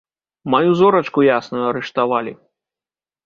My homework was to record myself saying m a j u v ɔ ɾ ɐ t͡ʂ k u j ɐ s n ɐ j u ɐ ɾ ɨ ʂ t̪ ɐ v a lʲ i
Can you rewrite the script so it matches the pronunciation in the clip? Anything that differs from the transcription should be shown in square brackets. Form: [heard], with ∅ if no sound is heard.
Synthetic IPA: m a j u [z] ɔ ɾ ɐ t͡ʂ k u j [a] s n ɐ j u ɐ ɾ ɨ ʂ t̪ [a] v a lʲ i